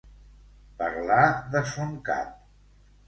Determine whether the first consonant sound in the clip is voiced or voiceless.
voiceless